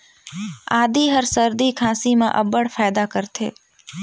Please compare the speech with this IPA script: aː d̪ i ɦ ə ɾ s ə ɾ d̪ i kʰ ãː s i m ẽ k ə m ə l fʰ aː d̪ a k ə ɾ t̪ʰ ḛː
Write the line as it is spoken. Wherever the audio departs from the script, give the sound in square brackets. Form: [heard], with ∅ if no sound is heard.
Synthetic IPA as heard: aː d̪ i ɦ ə ɾ s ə ɾ d̪ i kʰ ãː s i m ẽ [ʔ] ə [b] ə [ɽ] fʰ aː d̪ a k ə ɾ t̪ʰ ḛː